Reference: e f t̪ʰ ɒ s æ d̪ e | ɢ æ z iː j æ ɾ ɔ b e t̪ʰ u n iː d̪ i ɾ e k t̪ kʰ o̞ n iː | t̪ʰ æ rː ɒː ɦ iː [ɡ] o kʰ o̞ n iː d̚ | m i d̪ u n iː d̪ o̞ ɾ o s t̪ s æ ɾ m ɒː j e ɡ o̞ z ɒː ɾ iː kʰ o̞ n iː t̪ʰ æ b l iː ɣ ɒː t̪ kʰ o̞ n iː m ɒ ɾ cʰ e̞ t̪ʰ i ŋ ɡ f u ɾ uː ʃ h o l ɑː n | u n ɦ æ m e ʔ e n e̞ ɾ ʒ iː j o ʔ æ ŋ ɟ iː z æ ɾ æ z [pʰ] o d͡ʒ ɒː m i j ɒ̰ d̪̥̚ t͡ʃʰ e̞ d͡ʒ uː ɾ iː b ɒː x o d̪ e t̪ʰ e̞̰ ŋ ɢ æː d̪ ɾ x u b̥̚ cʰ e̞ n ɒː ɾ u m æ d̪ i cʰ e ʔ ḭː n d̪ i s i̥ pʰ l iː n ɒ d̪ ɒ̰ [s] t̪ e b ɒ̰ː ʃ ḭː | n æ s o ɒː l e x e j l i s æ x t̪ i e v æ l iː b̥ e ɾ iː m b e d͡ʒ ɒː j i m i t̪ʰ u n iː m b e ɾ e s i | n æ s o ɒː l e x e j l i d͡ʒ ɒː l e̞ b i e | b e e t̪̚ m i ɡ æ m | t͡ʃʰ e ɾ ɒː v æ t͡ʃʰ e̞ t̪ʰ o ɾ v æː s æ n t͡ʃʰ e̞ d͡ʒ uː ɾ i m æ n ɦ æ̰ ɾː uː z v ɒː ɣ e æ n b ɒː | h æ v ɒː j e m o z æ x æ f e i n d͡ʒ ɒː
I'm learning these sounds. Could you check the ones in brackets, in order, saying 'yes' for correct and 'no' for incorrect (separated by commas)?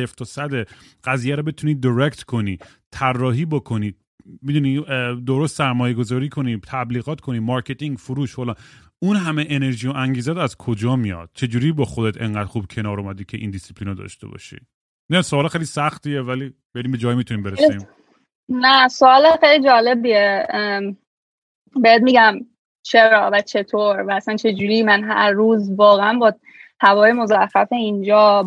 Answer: no, no, no